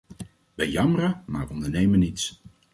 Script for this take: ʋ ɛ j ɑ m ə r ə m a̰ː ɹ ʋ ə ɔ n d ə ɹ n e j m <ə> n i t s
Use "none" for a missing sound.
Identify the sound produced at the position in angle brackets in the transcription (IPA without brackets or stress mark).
ə